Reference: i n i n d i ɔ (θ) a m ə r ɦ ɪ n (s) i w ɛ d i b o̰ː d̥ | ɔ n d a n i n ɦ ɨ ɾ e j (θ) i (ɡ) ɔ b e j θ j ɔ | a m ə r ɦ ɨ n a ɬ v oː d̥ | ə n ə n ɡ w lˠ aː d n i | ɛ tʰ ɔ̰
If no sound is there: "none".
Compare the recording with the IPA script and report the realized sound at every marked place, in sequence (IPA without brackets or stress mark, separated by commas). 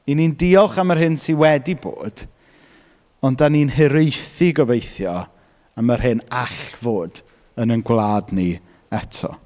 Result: χ, s, θ, ɡ